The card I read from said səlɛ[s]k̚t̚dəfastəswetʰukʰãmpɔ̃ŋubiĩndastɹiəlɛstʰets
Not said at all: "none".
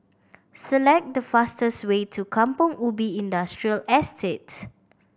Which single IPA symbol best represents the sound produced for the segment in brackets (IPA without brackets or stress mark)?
none